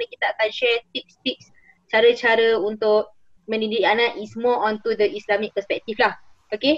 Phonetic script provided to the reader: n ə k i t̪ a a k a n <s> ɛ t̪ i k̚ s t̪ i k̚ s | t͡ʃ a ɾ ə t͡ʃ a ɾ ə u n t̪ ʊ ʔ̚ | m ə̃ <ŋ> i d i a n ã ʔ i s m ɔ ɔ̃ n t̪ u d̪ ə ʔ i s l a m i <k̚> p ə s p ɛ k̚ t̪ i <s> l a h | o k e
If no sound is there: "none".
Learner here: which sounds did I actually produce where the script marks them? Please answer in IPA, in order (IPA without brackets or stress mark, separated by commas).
ʃ, n, k̚, f